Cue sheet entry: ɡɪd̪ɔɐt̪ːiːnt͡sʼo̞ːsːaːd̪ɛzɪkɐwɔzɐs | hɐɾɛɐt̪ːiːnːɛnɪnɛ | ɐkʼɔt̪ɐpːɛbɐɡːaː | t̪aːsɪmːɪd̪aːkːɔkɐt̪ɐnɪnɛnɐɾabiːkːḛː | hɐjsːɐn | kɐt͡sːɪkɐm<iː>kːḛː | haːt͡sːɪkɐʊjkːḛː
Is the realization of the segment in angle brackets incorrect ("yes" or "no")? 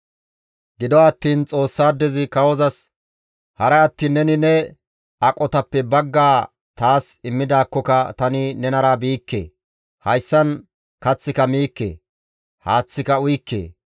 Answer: no